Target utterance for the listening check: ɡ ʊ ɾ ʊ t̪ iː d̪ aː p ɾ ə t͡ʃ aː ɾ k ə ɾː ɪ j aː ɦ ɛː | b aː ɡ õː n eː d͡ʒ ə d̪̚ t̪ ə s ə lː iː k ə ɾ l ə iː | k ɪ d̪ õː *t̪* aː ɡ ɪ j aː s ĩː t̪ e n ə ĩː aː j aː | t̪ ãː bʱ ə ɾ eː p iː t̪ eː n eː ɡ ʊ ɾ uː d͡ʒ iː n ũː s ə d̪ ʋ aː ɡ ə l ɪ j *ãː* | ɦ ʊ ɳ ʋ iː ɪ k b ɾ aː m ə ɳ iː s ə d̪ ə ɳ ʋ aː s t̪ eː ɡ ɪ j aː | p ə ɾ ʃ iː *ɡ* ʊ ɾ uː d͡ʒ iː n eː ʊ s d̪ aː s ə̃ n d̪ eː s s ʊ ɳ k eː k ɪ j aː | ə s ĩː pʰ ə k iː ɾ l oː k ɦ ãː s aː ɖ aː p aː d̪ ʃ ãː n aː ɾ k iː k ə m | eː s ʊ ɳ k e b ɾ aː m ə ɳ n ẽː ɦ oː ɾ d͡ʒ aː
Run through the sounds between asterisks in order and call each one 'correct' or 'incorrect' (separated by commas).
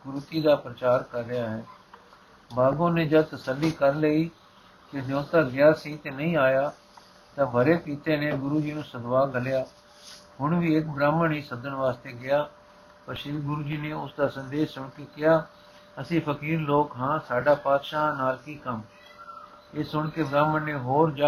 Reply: correct, incorrect, correct